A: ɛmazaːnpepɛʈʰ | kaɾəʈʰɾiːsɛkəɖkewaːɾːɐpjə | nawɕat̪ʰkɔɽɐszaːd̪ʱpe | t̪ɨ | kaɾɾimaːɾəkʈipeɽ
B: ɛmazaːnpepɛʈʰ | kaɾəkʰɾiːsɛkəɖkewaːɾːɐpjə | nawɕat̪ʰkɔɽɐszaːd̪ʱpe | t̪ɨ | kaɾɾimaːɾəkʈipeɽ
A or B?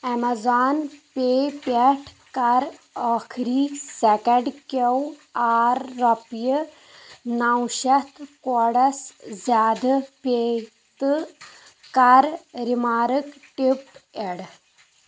B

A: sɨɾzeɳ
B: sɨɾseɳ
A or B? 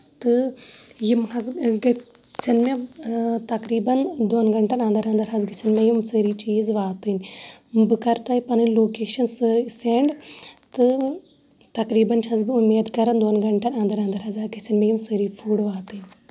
B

